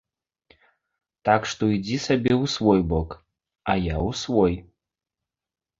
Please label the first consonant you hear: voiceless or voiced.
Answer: voiceless